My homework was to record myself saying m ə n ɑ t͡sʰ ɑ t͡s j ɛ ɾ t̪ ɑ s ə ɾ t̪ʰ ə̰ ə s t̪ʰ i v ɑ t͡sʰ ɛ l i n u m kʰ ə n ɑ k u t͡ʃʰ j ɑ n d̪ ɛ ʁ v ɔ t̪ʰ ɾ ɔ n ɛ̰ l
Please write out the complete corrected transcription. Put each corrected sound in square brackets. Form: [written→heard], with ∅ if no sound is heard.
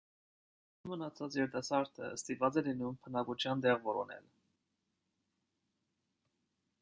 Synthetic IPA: m ə n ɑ t͡sʰ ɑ t͡s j ɛ ɾ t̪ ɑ s [ə→ɑ] ɾ t̪ʰ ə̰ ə s [t̪ʰ→t̪] i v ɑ [t͡sʰ→t͡s] ɛ l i n u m [kʰ→pʰ] ə n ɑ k u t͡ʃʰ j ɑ n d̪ ɛ ʁ v ɔ [t̪ʰ→∅] ɾ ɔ n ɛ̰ l